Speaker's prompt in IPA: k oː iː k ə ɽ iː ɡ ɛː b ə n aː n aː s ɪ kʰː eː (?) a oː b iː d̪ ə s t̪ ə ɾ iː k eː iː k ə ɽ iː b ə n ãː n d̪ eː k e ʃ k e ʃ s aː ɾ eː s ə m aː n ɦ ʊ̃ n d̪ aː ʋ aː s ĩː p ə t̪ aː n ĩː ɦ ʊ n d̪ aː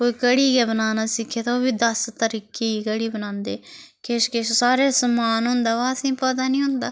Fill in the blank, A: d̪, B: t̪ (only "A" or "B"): B